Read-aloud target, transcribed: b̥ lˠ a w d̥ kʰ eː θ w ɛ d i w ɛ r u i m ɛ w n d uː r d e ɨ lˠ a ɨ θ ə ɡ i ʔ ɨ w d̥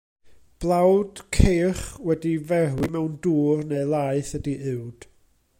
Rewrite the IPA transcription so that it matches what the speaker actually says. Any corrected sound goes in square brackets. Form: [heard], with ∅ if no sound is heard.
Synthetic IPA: b̥ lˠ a w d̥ kʰ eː [χ] w ɛ d i [v] ɛ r [w] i m ɛ w n d uː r [n] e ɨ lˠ a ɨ θ ə [d] i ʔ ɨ w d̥